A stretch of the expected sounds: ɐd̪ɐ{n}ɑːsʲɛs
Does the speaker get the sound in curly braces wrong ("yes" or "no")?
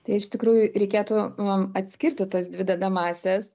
yes